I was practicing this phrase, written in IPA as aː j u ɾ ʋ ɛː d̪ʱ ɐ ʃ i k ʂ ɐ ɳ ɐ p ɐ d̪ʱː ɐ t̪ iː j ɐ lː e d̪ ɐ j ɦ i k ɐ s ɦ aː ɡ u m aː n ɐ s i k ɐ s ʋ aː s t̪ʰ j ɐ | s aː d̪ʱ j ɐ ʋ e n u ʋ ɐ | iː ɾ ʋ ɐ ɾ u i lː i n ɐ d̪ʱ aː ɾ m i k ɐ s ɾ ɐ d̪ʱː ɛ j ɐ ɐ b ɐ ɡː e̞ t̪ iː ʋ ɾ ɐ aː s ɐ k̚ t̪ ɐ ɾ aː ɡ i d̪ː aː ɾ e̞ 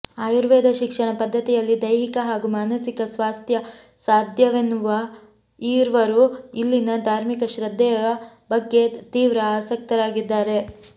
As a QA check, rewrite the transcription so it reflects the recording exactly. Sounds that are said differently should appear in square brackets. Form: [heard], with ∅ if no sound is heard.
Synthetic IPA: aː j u ɾ ʋ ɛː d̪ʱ ɐ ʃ i k ʂ ɐ ɳ ɐ p ɐ d̪ʱː ɐ t̪ [i] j ɐ lː [i] d̪ ɐ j ɦ i k ɐ [∅] ɦ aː ɡ u m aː n ɐ s i k ɐ s ʋ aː s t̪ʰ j ɐ | s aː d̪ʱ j ɐ ʋ e n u ʋ ɐ | iː ɾ ʋ ɐ ɾ u i lː i n ɐ d̪ʱ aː ɾ m i k ɐ [ʃ] ɾ ɐ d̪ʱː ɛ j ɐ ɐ b ɐ ɡː e̞ t̪ iː ʋ ɾ ɐ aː s ɐ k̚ t̪ ɐ ɾ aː ɡ i d̪ː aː ɾ e̞